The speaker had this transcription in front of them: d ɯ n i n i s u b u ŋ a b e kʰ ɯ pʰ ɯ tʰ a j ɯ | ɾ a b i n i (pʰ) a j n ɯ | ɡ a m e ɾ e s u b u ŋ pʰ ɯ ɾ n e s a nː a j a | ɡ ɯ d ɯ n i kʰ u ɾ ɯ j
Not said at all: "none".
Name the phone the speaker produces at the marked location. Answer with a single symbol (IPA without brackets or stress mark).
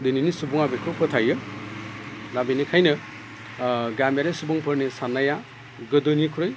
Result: kʰ